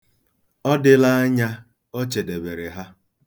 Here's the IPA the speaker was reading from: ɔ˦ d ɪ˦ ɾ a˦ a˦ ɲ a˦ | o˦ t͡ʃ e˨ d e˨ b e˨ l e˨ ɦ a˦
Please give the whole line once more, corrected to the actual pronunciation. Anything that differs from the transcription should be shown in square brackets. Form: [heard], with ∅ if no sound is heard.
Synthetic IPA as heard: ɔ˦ d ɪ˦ [l] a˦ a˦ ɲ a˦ | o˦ t͡ʃ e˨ d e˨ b e˨ [ɾ] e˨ ɦ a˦